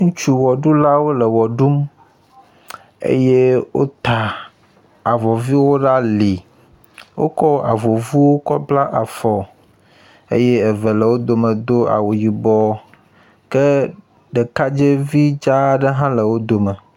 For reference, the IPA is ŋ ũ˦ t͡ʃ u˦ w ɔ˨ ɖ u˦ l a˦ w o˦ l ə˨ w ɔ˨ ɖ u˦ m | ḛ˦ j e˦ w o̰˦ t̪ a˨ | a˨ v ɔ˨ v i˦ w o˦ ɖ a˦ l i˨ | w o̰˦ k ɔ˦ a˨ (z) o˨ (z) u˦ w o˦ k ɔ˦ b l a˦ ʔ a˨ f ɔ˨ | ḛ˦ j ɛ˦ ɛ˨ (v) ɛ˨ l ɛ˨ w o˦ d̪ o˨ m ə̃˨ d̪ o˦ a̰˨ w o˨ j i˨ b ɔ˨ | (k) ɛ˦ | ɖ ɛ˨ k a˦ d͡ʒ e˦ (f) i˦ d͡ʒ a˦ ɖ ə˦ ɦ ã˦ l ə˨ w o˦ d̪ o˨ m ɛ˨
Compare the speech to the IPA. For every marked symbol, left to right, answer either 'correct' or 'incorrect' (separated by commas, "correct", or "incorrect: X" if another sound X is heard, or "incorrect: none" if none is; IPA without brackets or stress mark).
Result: incorrect: v, incorrect: v, correct, correct, incorrect: v